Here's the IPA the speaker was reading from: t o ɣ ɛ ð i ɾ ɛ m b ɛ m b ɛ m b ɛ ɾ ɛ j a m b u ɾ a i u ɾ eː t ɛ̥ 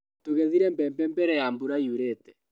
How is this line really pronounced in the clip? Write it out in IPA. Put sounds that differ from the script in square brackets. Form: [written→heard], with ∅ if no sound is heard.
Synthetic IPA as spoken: t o ɣ ɛ ð i ɾ ɛ m b ɛ m b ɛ m b ɛ ɾ ɛ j a m b u ɾ a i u ɾ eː t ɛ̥